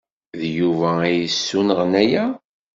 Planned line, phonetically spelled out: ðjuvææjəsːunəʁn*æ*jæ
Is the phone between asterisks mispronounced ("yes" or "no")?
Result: no